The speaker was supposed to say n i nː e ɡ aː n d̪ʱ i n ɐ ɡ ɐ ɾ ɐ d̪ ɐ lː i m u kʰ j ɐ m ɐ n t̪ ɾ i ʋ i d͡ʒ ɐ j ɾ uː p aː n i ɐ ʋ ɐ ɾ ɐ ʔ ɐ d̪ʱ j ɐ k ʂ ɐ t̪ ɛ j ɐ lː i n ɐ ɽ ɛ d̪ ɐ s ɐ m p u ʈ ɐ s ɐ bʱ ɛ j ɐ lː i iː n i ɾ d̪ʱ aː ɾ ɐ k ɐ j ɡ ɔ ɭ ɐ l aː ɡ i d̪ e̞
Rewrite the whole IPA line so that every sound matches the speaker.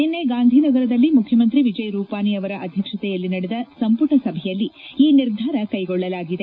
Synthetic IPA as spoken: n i nː e ɡ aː n d̪ʱ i n ɐ ɡ ɐ ɾ ɐ d̪ ɐ lː i m u kʰ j ɐ m ɐ n t̪ ɾ i ʋ i d͡ʒ ɐ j ɾ uː p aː n i ɐ ʋ ɐ ɾ ɐ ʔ ɐ d̪ʱ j ɐ k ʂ ɐ t̪ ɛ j ɐ lː i n ɐ ɽ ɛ d̪ ɐ s ɐ m p u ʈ ɐ s ɐ bʱ ɛ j ɐ lː i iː n i ɾ d̪ʱ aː ɾ ɐ k ɐ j ɡ ɔ ɭː ɐ l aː ɡ i d̪ e̞